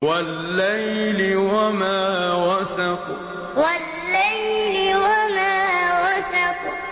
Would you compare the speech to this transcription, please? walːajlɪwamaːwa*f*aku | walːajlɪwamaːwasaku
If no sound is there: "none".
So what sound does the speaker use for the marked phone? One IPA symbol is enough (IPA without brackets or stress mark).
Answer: s